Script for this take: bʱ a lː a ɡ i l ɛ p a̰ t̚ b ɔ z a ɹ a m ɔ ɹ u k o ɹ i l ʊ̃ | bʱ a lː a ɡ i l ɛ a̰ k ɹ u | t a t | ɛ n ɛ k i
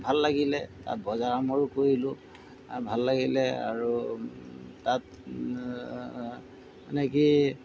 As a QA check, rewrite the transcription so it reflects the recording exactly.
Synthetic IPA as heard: bʱ a lː a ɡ i l ɛ t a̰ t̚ b ɔ z a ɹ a m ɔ ɹ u k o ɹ i l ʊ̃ | bʱ a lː a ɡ i l ɛ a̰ ɹ u | t a t | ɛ n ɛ k i